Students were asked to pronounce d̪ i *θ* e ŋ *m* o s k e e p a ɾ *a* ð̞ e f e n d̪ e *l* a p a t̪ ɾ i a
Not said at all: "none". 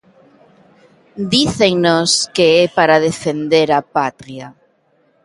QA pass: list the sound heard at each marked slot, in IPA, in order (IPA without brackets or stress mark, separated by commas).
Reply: θ, n, a, ɾ